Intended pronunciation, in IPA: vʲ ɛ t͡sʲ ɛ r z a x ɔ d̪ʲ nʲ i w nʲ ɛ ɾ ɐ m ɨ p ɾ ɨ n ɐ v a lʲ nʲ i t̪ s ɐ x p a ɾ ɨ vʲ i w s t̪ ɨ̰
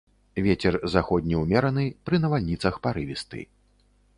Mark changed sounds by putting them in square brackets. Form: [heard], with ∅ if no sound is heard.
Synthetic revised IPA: vʲ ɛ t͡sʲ ɛ r z a x ɔ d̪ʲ nʲ i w [mʲ] ɛ ɾ ɐ [n] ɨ p ɾ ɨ n ɐ v a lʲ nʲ i t̪ s ɐ x p a ɾ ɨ vʲ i [∅] s t̪ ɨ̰